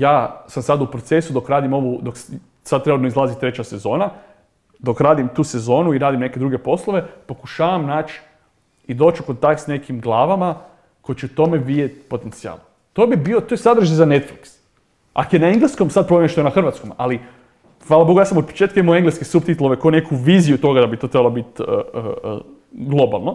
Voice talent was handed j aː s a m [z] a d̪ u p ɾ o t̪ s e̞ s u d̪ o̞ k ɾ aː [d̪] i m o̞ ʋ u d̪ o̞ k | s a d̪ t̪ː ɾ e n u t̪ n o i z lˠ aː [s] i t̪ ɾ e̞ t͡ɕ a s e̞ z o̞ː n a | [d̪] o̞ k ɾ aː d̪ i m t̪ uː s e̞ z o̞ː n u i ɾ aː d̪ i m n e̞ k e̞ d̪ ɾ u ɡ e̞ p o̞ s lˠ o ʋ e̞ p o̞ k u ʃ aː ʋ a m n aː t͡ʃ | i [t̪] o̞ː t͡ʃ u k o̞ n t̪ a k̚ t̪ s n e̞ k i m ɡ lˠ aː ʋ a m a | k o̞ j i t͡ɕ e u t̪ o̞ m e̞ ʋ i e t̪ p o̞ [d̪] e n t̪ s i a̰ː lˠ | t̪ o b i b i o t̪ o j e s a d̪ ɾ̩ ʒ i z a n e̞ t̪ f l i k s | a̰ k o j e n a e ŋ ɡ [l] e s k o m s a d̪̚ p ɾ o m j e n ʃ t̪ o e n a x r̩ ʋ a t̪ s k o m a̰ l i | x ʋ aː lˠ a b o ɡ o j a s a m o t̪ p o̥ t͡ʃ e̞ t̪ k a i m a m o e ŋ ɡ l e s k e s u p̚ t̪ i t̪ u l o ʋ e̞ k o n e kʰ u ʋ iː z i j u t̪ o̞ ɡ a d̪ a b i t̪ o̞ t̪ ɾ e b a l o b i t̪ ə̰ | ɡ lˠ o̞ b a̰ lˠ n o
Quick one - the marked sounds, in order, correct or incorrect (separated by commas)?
incorrect, correct, incorrect, correct, incorrect, incorrect, correct